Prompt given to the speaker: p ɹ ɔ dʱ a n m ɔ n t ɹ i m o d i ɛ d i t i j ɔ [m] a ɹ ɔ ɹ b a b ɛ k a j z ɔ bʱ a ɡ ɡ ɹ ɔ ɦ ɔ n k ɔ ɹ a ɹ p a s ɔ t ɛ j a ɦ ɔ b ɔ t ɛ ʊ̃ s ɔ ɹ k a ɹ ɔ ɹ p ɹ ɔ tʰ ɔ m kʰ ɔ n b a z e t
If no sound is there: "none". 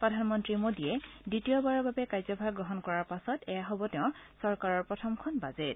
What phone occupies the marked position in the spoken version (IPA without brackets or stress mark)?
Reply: b